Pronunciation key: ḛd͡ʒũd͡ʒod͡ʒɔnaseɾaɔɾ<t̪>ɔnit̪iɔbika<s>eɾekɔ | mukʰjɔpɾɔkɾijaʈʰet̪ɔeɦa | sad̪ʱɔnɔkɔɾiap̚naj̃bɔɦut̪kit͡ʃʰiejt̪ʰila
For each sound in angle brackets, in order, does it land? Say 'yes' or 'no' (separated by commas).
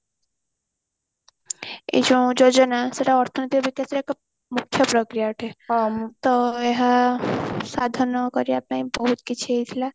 no, yes